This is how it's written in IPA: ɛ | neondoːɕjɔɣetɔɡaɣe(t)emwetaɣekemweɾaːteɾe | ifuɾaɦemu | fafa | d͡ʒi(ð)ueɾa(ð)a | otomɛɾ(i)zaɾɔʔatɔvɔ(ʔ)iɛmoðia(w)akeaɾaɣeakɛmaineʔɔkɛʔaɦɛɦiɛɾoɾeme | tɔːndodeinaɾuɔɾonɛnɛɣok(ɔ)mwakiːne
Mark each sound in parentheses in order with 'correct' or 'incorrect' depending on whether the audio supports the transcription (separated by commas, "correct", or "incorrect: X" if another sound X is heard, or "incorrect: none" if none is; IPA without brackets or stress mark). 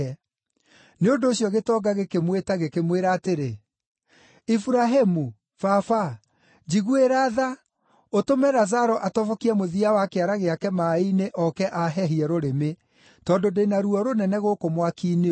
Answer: incorrect: k, incorrect: ɣ, correct, incorrect: a, incorrect: k, correct, incorrect: o